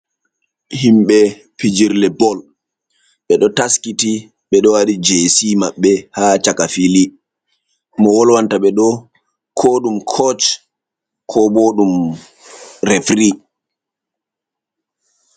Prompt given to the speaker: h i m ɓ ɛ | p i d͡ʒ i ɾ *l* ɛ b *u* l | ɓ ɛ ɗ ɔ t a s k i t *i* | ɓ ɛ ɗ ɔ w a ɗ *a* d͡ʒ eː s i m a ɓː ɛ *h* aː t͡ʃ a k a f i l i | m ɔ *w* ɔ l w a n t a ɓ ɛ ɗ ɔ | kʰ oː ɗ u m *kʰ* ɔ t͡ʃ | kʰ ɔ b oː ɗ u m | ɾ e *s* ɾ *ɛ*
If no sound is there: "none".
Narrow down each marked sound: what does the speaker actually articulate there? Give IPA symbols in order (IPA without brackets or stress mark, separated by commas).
l, ɔ, i, i, h, w, kʰ, f, i